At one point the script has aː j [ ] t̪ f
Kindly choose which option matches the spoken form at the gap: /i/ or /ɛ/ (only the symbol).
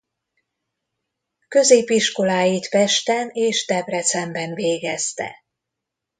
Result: i